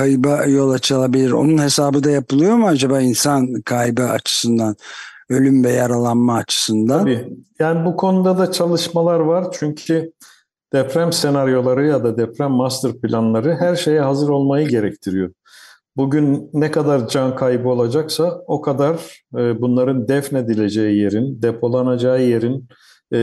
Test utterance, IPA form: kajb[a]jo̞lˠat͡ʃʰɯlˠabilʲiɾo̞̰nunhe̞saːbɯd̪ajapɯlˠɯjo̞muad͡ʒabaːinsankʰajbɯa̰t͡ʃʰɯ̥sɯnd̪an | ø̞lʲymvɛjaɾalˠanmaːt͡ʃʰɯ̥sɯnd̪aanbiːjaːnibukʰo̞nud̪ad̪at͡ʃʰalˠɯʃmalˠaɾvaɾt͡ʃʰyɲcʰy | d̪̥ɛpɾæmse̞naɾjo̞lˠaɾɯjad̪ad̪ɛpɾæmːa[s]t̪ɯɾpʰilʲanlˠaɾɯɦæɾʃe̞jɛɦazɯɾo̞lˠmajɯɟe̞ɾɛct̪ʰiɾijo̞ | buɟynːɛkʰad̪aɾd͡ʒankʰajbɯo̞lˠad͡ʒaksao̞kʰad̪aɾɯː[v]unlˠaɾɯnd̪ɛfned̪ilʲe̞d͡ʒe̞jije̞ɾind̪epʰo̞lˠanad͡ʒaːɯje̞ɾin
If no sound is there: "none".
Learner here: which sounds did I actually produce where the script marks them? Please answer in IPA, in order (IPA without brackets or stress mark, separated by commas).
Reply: a, s, b